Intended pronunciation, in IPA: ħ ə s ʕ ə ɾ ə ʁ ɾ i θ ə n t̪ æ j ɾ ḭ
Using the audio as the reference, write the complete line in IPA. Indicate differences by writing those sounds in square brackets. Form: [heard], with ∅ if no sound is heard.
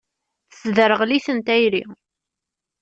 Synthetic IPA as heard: [θ] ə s [ð] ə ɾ ə ʁ [l] i θ ə n t̪ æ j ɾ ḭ